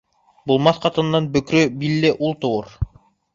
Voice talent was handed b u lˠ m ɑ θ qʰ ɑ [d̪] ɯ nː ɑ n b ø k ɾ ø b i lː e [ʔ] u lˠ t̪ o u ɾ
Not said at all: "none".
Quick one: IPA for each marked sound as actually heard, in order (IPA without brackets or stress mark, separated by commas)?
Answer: t̪, ʔ